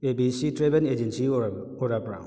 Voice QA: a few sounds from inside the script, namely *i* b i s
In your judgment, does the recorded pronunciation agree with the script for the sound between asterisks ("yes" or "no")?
no